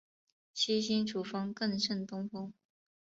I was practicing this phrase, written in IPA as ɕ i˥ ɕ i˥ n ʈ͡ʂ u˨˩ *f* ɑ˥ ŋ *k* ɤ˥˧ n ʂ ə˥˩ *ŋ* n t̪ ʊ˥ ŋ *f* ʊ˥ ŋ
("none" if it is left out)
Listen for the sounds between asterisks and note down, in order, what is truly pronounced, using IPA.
f, k, none, f

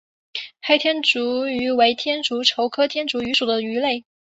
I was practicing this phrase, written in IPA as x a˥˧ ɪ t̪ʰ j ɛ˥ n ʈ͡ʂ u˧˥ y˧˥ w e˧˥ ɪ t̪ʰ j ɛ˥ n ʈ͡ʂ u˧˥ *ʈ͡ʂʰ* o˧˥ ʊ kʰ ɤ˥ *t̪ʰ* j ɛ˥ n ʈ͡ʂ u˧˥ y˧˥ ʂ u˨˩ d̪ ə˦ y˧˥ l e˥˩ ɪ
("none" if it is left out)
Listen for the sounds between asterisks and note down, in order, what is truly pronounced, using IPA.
ʈ͡ʂʰ, t̪ʰ

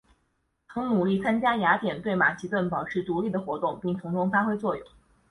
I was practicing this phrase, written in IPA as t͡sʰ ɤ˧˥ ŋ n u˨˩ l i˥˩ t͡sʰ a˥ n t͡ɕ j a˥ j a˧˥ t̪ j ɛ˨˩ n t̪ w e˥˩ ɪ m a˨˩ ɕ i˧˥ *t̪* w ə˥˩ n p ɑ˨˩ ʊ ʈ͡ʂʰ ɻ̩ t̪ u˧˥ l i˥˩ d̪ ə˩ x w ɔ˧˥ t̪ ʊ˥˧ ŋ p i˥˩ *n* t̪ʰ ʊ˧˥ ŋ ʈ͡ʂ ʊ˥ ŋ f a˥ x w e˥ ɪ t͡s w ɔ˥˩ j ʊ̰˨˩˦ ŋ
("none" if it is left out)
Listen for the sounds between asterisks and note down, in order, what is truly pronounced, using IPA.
t̪, ŋ

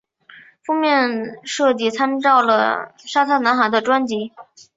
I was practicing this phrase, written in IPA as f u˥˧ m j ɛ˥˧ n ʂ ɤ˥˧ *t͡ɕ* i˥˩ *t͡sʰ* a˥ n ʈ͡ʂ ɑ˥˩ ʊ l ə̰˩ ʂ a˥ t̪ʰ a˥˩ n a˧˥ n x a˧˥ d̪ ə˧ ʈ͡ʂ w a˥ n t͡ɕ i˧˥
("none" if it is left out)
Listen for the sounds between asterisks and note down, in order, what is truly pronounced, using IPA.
t͡ɕ, t͡sʰ

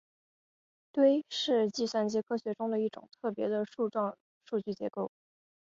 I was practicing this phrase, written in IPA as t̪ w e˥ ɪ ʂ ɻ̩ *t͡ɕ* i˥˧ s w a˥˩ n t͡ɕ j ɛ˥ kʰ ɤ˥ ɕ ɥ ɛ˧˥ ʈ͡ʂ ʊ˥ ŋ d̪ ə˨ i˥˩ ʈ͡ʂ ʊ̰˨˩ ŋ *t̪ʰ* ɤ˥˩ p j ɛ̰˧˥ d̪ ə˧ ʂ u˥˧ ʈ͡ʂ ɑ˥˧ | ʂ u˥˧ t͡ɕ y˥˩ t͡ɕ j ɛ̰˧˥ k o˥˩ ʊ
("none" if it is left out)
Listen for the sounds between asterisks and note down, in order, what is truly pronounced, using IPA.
t͡ɕ, t̪ʰ

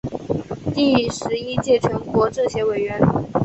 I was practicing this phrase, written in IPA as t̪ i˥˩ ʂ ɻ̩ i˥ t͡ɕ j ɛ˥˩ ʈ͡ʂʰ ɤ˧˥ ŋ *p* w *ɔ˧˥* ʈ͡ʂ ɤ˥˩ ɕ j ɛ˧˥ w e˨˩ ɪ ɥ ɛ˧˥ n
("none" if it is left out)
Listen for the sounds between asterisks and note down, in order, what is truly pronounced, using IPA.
k, ɔ˧˥

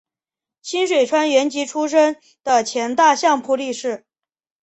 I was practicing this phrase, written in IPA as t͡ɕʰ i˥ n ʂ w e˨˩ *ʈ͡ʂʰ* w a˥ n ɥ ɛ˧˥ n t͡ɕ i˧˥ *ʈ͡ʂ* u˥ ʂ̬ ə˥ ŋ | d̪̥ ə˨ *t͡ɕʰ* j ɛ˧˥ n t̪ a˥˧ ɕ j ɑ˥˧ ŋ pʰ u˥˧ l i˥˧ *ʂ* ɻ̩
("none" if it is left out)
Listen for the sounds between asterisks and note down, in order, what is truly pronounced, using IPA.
ʈ͡ʂʰ, ʈ͡ʂʰ, t͡ɕʰ, ʂ

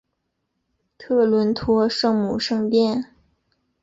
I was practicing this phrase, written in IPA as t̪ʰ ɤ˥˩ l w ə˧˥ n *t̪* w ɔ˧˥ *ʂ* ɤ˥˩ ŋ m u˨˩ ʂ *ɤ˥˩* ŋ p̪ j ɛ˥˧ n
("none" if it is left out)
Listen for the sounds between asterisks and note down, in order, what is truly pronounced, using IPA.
t̪ʰ, ʂ, ɤ˥˧

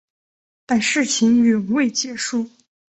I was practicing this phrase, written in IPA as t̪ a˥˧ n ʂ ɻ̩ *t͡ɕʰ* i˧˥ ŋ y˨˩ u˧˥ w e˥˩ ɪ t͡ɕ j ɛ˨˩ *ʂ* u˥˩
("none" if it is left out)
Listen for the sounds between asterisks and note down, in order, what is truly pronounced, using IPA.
t͡ɕʰ, ʂ

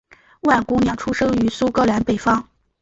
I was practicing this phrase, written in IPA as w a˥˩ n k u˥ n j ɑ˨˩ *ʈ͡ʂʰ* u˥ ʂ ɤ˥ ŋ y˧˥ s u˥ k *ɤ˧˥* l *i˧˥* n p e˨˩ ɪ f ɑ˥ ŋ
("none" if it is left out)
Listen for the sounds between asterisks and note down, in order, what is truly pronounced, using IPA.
ʈ͡ʂʰ, ɤ˥, a˧˥

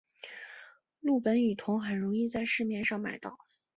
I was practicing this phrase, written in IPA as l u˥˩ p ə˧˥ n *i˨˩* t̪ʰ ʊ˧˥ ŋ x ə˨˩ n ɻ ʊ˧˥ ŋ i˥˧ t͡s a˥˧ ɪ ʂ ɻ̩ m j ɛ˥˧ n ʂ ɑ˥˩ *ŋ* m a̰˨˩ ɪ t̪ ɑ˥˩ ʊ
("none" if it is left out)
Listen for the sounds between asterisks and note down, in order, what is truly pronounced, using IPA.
y˨˩, ŋ

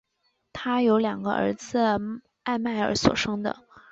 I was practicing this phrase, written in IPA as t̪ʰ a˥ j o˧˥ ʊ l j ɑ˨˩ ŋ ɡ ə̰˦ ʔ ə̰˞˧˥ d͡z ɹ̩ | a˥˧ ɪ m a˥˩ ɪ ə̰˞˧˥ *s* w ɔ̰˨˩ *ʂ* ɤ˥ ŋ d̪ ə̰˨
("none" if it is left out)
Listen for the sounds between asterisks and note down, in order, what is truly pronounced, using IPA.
s, ʂ

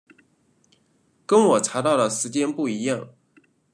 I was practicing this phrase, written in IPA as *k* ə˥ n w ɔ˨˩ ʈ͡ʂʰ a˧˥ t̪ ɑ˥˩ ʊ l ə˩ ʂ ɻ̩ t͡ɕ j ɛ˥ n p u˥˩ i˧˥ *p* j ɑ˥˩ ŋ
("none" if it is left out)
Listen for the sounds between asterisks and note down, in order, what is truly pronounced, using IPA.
k, none

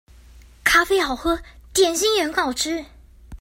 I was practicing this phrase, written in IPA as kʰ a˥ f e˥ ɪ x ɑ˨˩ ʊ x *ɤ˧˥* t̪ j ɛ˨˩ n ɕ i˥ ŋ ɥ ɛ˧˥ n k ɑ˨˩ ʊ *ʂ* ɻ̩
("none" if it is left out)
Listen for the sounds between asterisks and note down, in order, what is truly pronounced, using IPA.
ɤ˥, ʈ͡ʂ

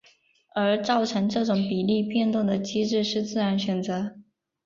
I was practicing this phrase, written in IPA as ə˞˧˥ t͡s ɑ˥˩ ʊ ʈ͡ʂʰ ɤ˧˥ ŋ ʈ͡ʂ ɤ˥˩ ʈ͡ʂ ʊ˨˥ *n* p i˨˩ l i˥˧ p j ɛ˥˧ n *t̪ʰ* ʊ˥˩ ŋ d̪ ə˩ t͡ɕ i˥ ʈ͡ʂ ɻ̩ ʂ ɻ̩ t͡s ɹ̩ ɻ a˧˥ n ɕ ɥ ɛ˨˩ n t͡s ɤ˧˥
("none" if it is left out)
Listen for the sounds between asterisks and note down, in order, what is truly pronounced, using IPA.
ŋ, t̪

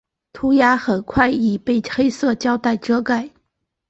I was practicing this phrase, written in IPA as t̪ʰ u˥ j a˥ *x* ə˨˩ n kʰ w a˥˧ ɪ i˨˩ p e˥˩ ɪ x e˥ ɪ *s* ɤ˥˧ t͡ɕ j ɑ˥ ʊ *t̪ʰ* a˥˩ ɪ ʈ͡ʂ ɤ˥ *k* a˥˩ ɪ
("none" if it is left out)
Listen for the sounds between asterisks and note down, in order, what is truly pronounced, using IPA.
x, s, t̪, k

